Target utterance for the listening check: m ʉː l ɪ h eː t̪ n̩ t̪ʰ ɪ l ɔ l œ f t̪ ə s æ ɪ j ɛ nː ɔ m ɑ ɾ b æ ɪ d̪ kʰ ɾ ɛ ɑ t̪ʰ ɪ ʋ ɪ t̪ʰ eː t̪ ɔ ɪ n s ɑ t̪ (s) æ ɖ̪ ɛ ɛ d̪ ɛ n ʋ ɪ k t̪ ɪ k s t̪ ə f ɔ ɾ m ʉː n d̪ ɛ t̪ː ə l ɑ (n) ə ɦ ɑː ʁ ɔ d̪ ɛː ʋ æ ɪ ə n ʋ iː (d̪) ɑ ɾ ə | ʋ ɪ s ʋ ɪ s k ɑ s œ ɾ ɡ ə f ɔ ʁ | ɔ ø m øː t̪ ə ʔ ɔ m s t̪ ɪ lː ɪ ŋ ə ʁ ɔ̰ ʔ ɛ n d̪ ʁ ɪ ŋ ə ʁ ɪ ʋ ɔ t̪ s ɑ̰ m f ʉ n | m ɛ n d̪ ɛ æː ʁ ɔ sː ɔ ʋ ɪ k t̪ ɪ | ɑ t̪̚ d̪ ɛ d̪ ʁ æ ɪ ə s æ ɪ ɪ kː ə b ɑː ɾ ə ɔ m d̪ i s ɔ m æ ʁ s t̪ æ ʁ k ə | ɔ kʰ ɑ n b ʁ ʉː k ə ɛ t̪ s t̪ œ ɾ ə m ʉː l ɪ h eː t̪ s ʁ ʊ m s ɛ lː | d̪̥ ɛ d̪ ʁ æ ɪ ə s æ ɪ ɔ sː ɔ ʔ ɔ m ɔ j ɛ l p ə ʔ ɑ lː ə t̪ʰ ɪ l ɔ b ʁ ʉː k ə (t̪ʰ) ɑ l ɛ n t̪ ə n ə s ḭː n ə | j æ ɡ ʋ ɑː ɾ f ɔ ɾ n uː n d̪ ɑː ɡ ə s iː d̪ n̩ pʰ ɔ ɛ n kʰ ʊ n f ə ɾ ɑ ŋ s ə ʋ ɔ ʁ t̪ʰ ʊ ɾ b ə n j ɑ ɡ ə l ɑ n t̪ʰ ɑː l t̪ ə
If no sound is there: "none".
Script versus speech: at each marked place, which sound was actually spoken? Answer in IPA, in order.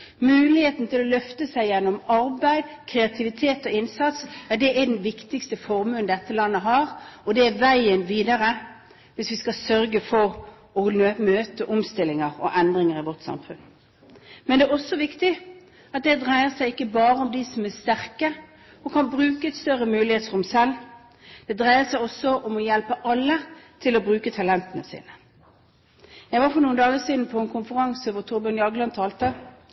s, nː, d̪, t̪ʰ

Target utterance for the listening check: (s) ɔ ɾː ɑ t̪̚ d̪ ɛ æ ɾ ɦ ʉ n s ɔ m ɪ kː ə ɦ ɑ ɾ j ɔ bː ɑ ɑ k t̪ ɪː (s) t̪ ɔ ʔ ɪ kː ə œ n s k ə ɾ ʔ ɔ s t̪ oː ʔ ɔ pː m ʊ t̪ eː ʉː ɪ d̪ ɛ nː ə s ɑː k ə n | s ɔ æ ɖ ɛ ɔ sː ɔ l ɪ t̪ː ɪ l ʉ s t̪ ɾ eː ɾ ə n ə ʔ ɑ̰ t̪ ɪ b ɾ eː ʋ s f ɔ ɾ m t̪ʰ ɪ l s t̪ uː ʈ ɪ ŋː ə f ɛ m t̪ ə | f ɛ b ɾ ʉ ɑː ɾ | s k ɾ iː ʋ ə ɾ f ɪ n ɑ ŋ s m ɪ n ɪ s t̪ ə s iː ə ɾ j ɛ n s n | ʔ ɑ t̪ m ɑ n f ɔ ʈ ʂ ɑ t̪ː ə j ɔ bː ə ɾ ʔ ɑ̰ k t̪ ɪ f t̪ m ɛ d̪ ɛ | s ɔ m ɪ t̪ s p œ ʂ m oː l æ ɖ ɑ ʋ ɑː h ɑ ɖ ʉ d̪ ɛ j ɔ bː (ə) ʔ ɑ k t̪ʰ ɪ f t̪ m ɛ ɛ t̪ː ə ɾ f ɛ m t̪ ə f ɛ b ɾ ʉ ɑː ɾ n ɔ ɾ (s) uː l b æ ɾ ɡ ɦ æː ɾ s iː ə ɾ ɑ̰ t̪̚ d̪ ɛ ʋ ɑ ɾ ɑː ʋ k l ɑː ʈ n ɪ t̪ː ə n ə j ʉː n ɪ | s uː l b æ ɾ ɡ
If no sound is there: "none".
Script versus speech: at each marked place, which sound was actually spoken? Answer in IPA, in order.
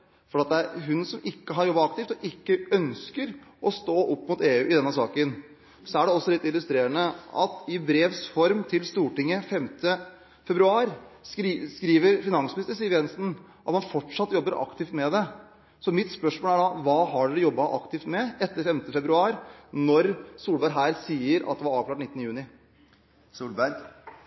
f, f, ɑ, s

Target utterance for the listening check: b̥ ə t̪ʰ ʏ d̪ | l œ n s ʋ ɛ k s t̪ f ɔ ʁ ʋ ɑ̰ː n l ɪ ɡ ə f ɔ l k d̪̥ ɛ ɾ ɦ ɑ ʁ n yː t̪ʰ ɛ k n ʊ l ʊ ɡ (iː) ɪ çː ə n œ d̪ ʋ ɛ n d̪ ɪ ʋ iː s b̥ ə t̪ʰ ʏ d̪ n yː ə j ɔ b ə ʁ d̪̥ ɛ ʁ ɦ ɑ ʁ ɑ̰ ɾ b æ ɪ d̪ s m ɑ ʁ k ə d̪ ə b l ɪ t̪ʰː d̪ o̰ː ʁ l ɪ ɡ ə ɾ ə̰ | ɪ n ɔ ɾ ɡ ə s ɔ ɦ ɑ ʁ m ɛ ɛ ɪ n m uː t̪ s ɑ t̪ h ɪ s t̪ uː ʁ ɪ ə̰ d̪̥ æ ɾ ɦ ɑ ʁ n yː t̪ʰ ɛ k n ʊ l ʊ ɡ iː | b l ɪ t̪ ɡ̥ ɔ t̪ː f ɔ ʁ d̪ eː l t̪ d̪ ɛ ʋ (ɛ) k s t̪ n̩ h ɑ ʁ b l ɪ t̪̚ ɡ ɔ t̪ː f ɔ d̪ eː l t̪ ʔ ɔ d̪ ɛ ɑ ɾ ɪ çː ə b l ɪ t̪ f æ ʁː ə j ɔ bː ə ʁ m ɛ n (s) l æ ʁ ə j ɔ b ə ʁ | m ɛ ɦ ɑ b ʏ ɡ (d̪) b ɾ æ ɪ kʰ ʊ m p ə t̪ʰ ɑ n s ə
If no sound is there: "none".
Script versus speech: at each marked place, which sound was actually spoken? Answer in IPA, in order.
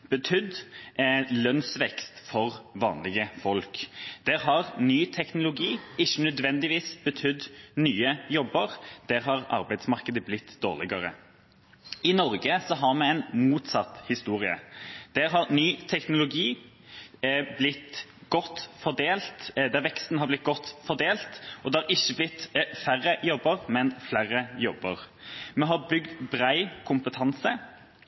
iː, ɛ, f, d̪

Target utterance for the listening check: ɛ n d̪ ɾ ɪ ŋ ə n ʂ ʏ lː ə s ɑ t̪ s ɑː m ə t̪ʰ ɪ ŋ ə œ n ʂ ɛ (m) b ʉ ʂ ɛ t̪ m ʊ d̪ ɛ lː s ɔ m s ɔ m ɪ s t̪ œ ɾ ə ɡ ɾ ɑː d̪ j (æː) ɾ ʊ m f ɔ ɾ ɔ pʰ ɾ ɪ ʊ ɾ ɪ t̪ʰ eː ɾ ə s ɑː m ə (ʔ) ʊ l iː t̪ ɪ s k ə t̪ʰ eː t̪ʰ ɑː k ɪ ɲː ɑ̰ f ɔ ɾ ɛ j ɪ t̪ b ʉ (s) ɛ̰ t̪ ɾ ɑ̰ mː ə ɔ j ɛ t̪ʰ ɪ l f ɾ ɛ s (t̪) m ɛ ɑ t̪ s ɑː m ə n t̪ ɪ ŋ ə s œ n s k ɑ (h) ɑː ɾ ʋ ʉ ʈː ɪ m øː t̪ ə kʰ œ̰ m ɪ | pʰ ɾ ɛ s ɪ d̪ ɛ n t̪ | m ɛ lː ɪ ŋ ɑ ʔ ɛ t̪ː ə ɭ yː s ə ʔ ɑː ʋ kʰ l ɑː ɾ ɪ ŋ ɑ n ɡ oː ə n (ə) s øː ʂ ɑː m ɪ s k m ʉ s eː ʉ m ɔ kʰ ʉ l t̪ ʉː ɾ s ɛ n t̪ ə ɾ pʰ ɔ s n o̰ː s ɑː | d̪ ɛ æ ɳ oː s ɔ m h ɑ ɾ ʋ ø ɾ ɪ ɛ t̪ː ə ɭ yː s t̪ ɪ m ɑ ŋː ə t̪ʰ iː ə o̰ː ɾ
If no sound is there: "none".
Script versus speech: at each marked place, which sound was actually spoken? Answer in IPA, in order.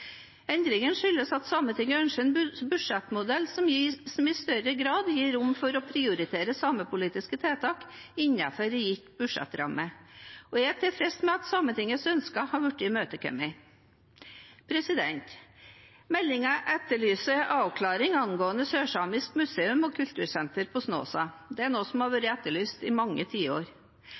n, iː, p, ʂ, t̪, h, ə

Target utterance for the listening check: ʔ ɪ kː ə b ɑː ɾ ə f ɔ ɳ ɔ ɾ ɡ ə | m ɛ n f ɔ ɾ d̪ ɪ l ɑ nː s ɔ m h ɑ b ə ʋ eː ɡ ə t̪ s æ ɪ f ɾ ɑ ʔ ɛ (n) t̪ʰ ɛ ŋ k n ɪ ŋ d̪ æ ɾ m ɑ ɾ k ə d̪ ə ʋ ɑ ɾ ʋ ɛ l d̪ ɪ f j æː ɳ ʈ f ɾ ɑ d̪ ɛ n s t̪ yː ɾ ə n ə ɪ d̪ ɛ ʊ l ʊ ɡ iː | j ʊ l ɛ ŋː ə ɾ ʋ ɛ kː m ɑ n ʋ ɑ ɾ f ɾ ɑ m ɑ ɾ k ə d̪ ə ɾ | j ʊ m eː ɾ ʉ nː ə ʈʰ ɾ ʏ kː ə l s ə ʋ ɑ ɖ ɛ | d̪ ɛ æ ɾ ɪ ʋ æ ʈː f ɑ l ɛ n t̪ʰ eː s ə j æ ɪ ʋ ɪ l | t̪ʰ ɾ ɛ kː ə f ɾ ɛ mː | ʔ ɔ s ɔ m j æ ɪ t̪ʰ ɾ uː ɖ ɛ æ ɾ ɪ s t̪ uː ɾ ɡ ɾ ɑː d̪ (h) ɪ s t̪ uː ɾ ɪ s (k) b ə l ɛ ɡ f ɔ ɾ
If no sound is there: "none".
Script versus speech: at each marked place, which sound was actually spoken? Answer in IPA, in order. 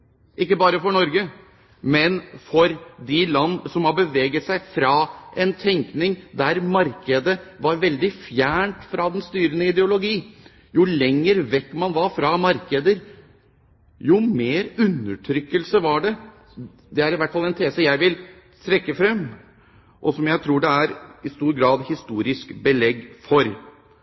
n, h, k

